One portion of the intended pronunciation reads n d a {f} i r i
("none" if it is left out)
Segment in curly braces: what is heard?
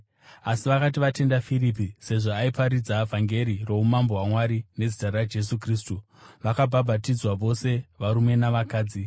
f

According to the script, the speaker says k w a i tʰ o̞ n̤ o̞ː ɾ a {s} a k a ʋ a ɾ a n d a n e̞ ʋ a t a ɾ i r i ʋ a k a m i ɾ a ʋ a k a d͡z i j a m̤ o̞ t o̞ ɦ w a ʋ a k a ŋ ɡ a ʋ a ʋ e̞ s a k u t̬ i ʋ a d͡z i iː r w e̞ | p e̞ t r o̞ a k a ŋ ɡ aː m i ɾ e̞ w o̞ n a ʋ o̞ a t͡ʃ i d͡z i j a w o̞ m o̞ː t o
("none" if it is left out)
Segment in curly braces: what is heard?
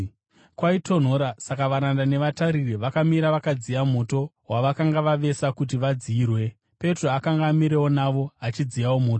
s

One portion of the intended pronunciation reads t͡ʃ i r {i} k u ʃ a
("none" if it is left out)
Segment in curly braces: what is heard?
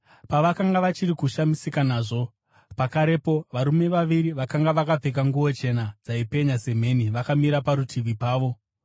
i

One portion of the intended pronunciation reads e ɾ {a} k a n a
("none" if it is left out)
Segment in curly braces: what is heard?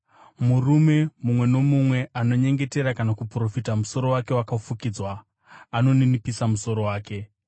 a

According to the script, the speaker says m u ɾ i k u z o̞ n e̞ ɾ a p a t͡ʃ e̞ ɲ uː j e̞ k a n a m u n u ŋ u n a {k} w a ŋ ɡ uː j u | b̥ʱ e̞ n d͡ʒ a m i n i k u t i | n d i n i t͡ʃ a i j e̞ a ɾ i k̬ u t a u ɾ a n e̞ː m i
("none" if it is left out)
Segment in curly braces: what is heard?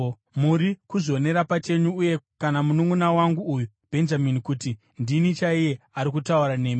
none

